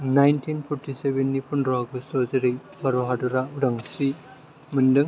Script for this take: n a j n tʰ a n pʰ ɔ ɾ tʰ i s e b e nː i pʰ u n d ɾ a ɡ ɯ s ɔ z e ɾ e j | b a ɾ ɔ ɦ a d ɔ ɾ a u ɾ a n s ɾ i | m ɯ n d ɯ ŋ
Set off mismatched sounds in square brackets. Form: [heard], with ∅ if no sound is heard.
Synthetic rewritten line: n a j n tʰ [i] n pʰ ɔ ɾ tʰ i s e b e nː i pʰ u n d ɾ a ɡ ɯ s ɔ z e ɾ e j | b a ɾ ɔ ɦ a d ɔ ɾ a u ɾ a [ŋ] s ɾ i | m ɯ n d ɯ ŋ